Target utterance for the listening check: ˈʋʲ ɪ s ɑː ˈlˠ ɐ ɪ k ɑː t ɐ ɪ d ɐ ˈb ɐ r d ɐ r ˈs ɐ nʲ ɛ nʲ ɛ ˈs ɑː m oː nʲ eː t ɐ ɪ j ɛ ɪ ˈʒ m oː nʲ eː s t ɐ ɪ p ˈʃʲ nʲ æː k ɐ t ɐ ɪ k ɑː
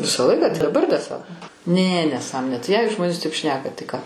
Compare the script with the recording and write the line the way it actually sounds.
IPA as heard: ˈʋʲ ɪ s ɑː ˈlˠ ɐ ɪ k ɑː t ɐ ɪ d ɐ ˈb ɐ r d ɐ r ˈs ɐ nʲ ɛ nʲ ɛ ˈs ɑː m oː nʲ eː t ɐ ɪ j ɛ ɪ ˈʒ m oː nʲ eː s t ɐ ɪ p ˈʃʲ nʲ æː k ɐ t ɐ ɪ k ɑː